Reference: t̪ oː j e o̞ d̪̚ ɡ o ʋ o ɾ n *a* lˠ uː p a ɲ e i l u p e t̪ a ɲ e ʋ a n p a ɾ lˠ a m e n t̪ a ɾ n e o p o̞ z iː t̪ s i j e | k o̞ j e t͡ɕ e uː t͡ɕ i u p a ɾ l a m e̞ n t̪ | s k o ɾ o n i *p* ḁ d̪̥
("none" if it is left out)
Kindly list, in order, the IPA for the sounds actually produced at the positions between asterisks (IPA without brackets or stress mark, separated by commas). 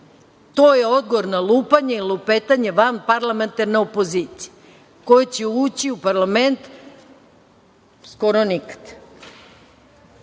a, k